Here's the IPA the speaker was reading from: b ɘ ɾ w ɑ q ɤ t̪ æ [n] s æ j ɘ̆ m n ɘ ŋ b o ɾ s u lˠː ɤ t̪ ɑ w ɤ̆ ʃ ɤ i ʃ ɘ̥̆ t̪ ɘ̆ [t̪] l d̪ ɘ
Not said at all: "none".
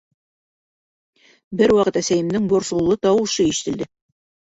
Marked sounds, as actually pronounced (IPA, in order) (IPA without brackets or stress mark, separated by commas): none, none